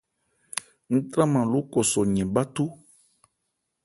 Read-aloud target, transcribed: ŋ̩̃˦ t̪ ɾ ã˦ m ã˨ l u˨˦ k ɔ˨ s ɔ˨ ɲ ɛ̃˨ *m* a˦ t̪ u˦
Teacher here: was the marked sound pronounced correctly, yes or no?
no